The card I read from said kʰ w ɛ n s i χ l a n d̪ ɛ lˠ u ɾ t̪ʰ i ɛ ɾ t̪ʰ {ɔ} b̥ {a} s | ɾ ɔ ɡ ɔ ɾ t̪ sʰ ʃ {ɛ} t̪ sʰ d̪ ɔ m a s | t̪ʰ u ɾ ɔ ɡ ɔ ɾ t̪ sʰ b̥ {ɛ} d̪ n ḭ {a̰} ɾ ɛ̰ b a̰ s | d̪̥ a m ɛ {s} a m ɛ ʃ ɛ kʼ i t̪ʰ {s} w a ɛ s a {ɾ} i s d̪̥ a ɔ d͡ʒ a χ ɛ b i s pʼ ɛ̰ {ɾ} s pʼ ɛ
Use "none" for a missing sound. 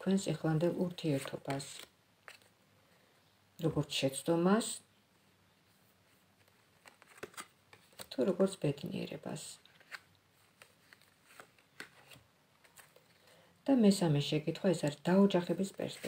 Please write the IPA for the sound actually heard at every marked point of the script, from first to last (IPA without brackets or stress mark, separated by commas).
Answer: ɔ, a, ɛ, ɛ, ɛ̰, s, χ, ɾ, ɾ